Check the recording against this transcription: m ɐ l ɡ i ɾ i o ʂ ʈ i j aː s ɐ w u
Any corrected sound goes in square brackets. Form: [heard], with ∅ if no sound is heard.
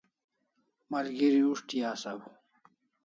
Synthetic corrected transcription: m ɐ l ɡ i ɾ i [u] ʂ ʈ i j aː s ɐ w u